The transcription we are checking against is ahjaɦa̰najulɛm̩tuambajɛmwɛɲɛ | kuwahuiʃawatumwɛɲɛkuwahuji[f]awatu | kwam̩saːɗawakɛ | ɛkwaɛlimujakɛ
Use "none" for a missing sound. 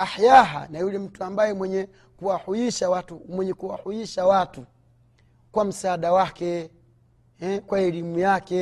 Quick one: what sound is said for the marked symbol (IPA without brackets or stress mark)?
ʃ